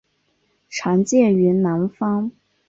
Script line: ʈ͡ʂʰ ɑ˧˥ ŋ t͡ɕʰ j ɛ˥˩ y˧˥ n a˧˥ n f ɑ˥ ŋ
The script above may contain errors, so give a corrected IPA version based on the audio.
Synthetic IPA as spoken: ʈ͡ʂʰ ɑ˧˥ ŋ t͡ɕ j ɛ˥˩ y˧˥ n a˧˥ n f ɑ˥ ŋ

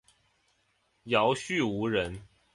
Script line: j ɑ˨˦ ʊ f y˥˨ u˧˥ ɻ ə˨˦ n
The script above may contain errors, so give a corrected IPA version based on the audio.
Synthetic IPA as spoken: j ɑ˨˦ ʊ ɕ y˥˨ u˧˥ ɻ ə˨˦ n

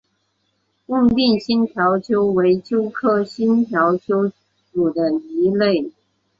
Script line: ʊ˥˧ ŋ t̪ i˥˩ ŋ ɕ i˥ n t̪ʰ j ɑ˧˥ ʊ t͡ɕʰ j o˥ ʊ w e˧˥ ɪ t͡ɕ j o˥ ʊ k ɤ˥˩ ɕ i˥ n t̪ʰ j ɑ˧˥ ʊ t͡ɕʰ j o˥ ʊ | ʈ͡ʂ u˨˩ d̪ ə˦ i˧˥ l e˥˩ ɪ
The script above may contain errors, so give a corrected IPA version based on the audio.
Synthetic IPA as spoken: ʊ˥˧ ŋ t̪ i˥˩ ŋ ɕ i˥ n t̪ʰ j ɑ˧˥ ʊ t͡ɕʰ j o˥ ʊ w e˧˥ ɪ t͡ɕ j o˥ ʊ kʰ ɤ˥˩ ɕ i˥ n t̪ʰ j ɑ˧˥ ʊ t͡ɕʰ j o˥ ʊ | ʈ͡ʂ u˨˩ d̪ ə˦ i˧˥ l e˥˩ ɪ

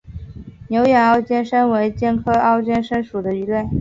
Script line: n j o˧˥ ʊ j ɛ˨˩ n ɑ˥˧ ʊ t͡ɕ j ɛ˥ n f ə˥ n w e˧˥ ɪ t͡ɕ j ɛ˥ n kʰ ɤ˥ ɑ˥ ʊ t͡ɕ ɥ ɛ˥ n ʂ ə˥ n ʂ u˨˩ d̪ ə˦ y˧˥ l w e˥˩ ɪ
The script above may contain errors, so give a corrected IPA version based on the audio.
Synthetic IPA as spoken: n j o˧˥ ʊ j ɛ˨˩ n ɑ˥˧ ʊ t͡ɕ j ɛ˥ n ʂ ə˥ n w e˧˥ ɪ t͡ɕ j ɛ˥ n kʰ ɤ˥ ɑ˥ ʊ t͡ɕ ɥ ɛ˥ n ʂ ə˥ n ʂ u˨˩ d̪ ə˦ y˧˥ l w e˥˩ ɪ

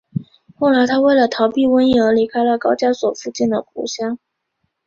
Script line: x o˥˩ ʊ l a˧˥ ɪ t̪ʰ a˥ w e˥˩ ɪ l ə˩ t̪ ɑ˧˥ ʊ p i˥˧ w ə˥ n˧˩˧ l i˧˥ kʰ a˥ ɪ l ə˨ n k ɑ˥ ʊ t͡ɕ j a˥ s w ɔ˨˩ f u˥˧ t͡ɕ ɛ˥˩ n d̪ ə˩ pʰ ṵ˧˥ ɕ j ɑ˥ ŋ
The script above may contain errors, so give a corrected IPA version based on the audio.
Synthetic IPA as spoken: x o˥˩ ʊ l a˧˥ ɪ t̪ʰ a˥ w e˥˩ ɪ l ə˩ t̪ʰ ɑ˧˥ ʊ p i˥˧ w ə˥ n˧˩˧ l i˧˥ kʰ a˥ ɪ l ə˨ k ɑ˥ ʊ t͡ɕ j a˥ s w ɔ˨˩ f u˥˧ t͡ɕ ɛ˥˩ n d̪ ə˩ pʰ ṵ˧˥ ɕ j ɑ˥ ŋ

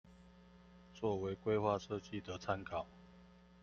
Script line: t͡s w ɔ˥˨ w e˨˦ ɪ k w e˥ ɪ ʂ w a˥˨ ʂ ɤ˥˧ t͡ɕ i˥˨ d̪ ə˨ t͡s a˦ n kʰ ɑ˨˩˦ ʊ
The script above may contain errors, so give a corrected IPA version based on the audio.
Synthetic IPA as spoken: t͡s w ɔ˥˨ w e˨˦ ɪ k w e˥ ɪ x w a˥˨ ʂ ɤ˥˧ t͡ɕ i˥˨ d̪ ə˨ t͡sʰ a˦ n kʰ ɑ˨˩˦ ʊ

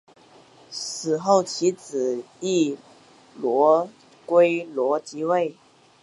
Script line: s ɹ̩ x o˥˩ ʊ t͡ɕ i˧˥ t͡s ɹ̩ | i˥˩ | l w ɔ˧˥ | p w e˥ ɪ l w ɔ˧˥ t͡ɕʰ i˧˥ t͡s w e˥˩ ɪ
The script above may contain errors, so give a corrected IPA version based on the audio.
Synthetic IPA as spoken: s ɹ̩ x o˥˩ ʊ t͡ɕʰ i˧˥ t͡s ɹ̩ | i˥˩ | l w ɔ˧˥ | k w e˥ ɪ l w ɔ˧˥ t͡ɕ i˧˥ w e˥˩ ɪ

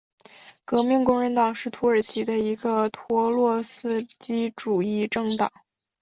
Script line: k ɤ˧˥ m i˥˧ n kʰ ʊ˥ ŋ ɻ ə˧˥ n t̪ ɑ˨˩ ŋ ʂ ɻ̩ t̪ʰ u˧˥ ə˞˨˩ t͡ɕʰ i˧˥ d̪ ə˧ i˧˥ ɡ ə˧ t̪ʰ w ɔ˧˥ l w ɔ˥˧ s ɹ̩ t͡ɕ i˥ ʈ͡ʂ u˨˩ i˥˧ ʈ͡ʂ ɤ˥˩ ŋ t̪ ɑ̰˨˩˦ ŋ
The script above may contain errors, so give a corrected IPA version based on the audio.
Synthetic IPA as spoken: k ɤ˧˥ m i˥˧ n k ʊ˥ ŋ ɻ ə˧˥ n t̪ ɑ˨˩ ŋ ʂ ɻ̩ t̪ʰ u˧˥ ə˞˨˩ t͡ɕʰ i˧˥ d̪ ə˧ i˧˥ ɡ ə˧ t̪ʰ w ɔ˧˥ l w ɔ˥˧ s ɹ̩ t͡ɕ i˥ ʈ͡ʂ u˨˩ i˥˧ ʈ͡ʂ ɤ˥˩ ŋ t̪ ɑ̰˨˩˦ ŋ

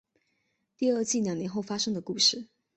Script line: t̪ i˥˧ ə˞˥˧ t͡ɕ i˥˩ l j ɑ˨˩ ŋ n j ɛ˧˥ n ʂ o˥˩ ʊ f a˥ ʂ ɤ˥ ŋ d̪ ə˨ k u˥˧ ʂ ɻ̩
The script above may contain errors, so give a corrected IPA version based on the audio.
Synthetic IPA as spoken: t̪ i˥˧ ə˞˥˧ t͡ɕ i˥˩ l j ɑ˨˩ ŋ n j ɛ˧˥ n x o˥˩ ʊ f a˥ ʂ ɤ˥ ŋ d̪ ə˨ k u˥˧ ʂ ɻ̩

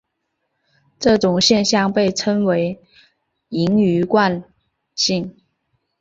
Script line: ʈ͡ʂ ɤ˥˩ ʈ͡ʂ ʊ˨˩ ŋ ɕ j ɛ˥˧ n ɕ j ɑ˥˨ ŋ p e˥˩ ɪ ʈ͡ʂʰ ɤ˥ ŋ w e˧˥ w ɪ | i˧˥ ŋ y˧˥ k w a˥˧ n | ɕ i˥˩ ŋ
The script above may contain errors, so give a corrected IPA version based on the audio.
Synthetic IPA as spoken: ʈ͡ʂ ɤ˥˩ ʈ͡ʂ ʊ˨˩ ŋ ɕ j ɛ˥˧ n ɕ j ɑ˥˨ ŋ p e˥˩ ɪ ʈ͡ʂʰ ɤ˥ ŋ w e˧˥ ɪ | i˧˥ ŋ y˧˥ k w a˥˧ n | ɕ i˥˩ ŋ

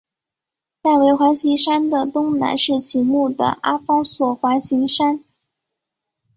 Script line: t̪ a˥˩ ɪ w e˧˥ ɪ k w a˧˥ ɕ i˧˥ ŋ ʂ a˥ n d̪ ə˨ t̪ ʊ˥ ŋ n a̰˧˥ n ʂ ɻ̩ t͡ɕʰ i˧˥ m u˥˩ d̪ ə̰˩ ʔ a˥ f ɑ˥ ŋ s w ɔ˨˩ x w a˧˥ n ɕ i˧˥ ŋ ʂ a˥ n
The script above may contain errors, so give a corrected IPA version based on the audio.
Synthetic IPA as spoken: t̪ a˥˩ ɪ w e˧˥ ɪ x w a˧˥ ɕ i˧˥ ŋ ʂ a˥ n d̪ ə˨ t̪ ʊ˥ ŋ n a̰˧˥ n ʂ ɻ̩ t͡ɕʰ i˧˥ m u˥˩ d̪ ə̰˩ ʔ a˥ f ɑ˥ ŋ s w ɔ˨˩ x w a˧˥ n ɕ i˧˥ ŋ ʂ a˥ n

